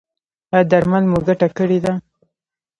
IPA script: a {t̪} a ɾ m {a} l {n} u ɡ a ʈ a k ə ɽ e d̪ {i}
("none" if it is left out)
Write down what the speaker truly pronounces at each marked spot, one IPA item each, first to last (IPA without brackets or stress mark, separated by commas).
d̪, a, m, a